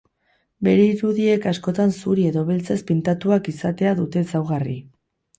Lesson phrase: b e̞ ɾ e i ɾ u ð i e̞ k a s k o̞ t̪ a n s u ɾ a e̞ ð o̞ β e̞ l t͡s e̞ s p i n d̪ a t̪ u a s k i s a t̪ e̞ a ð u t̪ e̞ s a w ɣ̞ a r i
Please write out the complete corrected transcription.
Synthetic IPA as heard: b e̞ ɾ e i ɾ u ð i e̞ k a s k o̞ t̪ a n s u ɾ i e̞ ð o̞ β e̞ l t͡s e̞ s p i n t̪ a t̪ u a k i s a t̪ e̞ a ð u t̪ e̞ s a w ɣ̞ a r i

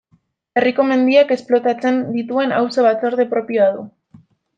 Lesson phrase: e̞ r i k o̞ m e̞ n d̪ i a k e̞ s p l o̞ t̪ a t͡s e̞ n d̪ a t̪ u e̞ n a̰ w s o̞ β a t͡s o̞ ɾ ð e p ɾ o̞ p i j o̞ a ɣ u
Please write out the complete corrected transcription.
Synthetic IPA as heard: e̞ r i k o̞ m e̞ n d̪ i a k e̞ s p l o̞ t̪ a t͡s e̞ n d̪ i t̪ u e̞ n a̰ w s o̞ β a t͡s o̞ ɾ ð e p ɾ o̞ p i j o̞ a ð u

